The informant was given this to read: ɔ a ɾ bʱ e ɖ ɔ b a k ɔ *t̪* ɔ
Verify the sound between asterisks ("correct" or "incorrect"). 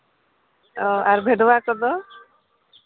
incorrect